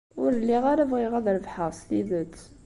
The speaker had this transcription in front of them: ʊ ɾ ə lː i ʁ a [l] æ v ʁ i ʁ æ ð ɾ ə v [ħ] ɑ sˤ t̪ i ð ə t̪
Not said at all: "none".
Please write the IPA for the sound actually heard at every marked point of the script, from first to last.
ɾ, ħ

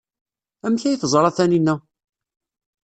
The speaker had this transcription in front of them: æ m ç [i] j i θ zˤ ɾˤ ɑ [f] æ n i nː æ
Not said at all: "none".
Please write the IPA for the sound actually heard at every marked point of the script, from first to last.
æ, θ

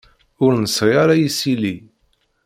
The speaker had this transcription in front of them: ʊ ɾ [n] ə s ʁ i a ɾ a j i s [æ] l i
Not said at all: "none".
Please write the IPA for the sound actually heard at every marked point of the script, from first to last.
n, i

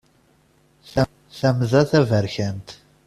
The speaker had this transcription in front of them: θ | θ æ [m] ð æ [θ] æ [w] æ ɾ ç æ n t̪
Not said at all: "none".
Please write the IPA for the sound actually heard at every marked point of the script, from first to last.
m, θ, v

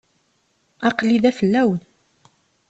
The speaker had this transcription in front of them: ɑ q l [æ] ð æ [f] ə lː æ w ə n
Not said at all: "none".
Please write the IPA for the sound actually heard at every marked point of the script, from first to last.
i, f

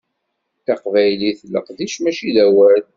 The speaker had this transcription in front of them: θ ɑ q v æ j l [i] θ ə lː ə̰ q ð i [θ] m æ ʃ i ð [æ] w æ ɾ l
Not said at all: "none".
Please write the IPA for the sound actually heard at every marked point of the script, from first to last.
i, ʃ, æ

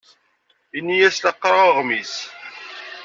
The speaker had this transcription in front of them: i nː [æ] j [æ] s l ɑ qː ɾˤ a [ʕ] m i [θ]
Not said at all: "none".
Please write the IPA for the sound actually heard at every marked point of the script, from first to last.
i, æ, ʁ, s

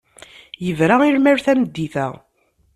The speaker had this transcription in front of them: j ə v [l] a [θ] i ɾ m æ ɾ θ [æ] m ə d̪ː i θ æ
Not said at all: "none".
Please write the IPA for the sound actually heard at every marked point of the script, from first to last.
ɾ, none, æ

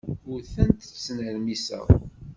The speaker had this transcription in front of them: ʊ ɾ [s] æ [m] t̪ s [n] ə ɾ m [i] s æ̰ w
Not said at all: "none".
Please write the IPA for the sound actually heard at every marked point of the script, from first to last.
θ, n, n, i

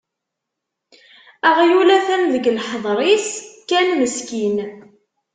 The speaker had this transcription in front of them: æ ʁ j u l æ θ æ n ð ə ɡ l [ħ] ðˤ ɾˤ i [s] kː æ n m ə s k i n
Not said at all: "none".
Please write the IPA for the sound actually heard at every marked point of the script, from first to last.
ħ, s

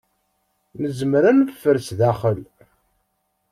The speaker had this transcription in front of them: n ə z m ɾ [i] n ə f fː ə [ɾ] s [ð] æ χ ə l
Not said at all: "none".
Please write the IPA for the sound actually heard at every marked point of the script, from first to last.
æ, ɾ, ð

